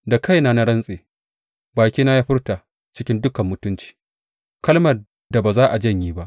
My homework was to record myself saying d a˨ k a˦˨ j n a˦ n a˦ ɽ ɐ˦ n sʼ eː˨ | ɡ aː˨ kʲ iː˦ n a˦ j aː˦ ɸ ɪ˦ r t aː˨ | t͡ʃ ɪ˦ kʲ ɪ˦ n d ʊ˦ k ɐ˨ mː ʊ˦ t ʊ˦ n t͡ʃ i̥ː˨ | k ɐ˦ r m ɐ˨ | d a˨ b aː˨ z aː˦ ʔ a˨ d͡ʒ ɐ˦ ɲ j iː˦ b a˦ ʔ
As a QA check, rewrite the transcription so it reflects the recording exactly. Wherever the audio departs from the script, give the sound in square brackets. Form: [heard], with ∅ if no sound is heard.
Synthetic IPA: d a˨ k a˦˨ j n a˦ n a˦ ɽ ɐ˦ n sʼ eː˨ | [b] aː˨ kʲ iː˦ n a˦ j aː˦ ɸ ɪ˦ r t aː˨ | t͡ʃ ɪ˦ kʲ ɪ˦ n d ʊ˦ k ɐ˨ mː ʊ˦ t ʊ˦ n t͡ʃ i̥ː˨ | k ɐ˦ [l] m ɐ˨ | d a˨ b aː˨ z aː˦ ʔ a˨ d͡ʒ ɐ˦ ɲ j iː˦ b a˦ ʔ